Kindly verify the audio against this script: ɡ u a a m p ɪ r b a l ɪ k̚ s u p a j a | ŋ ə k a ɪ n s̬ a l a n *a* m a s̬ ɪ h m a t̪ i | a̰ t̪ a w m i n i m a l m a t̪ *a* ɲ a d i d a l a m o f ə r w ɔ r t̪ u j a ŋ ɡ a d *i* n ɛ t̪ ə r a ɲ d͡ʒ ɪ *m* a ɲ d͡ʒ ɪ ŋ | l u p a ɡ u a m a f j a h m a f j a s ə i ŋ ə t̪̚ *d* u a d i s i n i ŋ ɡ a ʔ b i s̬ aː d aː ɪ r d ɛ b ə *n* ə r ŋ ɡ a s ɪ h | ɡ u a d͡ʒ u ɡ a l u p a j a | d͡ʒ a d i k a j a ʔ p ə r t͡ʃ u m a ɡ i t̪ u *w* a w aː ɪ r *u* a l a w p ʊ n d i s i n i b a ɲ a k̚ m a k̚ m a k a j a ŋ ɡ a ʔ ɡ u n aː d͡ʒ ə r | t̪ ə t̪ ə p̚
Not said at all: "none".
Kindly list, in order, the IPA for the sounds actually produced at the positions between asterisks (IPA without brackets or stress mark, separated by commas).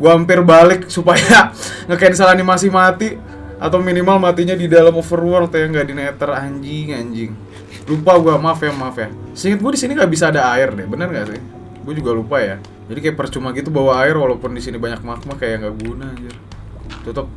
i, i, i, ŋ, ɡ, n, b, w